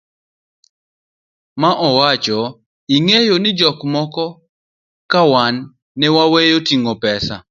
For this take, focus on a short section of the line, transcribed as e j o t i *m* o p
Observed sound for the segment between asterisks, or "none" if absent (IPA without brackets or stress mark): ŋ